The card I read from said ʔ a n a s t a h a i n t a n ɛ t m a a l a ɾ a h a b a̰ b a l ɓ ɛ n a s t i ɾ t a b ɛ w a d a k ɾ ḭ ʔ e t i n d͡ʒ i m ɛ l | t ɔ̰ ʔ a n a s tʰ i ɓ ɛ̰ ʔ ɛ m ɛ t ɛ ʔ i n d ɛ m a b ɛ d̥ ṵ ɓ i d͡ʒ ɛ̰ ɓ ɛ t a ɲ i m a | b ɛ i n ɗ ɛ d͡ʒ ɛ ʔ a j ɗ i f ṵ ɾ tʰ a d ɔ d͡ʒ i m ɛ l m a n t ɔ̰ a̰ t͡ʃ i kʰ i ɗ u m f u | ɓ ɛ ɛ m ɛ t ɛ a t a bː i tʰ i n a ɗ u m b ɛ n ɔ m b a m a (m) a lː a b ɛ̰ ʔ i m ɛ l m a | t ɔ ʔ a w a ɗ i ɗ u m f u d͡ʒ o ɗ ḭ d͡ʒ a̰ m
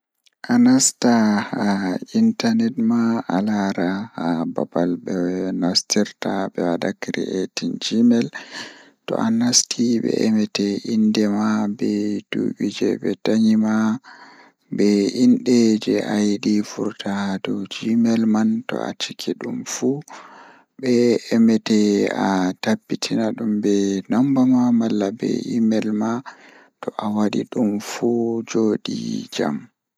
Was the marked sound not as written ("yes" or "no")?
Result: no